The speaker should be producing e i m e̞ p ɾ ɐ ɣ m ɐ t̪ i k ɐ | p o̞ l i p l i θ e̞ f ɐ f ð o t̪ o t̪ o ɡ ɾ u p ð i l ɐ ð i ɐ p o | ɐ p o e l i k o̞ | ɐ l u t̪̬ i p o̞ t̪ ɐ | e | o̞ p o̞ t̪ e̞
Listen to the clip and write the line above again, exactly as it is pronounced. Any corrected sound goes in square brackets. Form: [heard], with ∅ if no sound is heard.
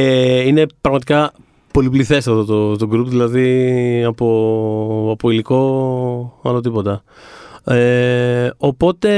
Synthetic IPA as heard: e i [n] e̞ p ɾ ɐ ɣ m ɐ t̪ i k ɐ | p o̞ l i p l i θ e̞ [s] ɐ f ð o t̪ o t̪ o ɡ ɾ u p ð i l ɐ ð i ɐ p o | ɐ p o [i] l i k o̞ | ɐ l [o] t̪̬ i p o̞ t̪ ɐ | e | o̞ p o̞ t̪ e̞